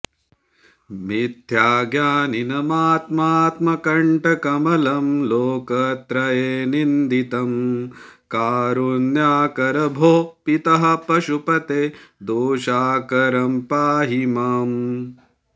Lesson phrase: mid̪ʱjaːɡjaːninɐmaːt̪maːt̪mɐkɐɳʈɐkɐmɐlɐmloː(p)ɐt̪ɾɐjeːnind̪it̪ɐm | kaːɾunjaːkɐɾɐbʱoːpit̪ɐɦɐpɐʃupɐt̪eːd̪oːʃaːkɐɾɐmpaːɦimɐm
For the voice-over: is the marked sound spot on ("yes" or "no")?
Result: no